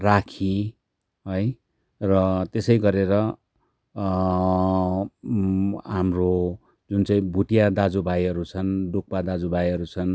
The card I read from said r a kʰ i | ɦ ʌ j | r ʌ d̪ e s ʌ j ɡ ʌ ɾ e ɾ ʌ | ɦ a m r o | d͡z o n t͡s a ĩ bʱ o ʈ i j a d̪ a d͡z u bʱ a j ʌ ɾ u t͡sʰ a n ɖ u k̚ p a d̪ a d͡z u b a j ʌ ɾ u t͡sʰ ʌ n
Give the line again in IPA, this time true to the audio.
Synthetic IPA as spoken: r a kʰ i | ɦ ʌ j | r ʌ t̪ e s ʌ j ɡ ʌ ɾ e ɾ ʌ | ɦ a m r o | d͡z u n t͡s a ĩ bʱ u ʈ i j a d̪ a d͡z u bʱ a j ʌ ɾ u t͡sʰ ʌ n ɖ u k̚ p a d̪ a d͡z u b a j ʌ ɾ u t͡sʰ ʌ n